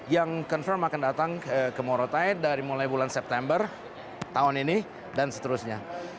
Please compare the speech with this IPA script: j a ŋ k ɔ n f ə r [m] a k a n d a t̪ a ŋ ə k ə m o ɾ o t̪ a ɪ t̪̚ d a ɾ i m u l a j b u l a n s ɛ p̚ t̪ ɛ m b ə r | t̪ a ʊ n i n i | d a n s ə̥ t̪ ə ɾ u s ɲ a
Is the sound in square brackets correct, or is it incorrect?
correct